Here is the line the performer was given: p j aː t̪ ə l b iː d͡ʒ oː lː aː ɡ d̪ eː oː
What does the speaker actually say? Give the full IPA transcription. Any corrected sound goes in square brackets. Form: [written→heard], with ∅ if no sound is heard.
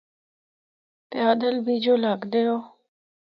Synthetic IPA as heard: p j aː [t̪→d̪] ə l b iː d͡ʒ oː [lː→l] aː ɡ d̪ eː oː